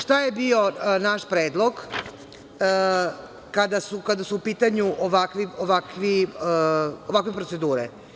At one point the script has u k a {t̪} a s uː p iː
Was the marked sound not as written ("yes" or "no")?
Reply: yes